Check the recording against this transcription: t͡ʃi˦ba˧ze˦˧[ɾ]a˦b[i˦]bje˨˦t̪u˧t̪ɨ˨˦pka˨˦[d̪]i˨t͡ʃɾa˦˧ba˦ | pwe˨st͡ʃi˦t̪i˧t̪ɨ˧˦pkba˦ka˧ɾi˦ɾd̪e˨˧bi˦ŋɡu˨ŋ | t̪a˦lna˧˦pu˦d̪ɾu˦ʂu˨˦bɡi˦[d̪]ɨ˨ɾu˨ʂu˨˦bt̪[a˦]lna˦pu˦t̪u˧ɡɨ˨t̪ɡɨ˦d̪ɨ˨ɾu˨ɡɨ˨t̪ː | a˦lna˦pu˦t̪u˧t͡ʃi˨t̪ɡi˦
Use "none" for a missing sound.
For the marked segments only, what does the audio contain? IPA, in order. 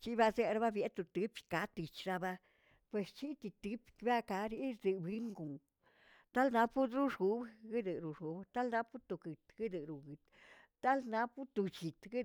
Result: ɾ, a˦, t̪, d̪, a˦

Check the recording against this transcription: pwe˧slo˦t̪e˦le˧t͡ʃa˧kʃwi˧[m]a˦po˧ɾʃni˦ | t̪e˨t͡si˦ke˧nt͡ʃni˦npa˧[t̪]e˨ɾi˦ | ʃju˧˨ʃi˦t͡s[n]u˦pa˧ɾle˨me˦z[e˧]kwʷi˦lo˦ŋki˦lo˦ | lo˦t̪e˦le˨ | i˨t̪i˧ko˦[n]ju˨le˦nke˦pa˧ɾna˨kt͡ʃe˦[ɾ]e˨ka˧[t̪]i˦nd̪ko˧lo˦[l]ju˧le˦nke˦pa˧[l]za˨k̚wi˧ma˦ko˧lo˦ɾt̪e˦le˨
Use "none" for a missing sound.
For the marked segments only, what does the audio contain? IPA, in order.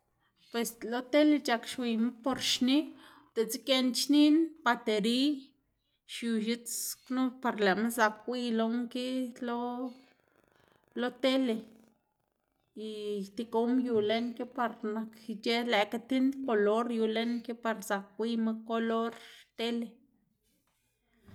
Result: m, t̪, n, a˧, m, l, t̪, ɾ, ɾ

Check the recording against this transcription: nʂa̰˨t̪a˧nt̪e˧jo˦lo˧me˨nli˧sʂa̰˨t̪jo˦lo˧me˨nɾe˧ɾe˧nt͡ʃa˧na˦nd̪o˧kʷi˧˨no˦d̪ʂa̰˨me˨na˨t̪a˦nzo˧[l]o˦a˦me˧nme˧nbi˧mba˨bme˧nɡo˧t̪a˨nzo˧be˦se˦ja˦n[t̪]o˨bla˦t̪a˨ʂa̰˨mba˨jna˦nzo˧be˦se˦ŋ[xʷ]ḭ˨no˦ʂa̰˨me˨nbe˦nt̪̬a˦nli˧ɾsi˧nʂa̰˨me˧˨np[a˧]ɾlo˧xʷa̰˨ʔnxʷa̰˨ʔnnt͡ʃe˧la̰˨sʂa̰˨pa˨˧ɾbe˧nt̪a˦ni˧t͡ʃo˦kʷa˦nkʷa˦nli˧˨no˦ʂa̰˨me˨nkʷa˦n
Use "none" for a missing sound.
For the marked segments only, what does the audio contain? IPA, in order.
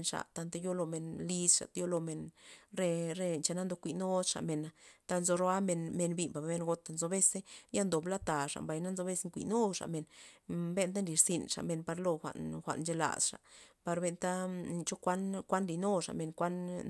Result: ɾ, d̪, kʷ, a˧

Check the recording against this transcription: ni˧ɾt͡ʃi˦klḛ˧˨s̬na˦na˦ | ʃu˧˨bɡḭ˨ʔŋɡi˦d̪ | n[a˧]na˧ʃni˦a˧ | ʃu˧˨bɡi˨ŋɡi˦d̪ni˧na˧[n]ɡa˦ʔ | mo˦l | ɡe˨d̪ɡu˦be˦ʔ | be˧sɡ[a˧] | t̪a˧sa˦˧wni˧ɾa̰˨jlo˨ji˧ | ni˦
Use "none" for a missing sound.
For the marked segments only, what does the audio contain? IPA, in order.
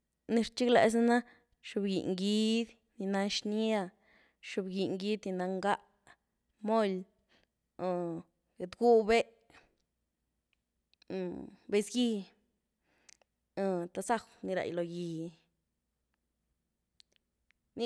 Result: i˧, ŋ, i˧

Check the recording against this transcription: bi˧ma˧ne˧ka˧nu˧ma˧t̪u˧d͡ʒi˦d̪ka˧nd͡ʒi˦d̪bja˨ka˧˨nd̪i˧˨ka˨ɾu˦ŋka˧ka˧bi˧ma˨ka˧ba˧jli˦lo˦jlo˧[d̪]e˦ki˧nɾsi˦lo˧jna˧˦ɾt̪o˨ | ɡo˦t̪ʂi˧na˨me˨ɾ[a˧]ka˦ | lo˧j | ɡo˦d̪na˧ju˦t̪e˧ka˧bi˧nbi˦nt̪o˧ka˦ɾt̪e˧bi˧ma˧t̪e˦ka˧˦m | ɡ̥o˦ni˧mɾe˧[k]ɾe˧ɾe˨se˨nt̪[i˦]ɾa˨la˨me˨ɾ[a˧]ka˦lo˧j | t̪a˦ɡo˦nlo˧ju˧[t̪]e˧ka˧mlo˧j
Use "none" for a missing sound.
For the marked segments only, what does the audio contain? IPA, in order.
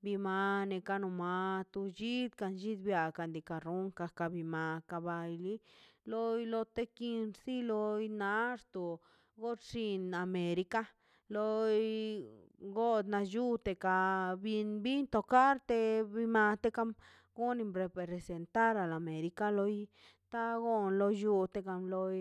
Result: t̪, i˧, p, a˦, i˧, t̪

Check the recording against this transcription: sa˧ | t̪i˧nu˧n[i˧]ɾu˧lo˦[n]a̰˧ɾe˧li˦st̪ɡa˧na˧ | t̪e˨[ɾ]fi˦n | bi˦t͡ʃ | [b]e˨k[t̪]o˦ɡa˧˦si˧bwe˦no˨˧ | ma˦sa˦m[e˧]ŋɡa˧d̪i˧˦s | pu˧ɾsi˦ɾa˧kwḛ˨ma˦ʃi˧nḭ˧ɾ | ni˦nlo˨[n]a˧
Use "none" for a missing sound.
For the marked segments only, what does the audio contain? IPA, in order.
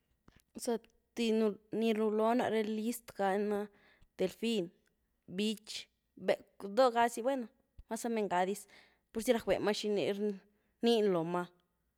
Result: i˧, n, l, b, d̪, e˧, m

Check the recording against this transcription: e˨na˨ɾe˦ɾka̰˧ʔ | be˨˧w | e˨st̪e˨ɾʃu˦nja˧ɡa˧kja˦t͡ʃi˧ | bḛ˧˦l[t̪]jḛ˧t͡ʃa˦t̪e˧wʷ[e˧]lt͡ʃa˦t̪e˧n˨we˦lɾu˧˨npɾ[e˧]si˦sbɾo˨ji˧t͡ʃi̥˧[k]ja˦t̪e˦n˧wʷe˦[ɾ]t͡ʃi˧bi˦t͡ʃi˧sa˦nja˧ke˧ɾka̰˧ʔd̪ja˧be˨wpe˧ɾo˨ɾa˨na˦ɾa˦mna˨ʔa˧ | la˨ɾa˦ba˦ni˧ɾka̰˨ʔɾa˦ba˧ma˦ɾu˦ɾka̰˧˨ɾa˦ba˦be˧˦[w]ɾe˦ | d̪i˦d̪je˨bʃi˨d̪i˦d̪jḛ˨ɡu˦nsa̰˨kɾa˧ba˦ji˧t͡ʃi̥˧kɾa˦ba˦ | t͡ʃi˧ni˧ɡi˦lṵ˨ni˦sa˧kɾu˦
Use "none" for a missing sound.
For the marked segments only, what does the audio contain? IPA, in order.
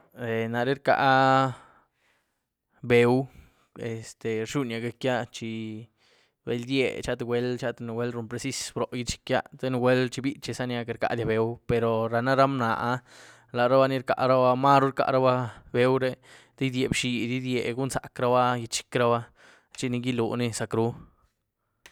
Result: d̪, e˧, e˧, k, l, w

